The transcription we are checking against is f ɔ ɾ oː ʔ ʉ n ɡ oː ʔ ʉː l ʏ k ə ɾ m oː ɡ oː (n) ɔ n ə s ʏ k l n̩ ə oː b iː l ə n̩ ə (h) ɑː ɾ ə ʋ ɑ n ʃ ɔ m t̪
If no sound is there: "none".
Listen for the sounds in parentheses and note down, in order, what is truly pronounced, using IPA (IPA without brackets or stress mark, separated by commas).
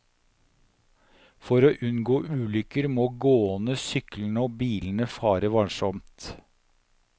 none, f